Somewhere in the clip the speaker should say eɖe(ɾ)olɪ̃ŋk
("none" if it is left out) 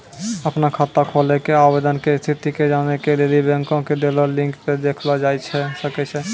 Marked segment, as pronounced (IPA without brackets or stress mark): l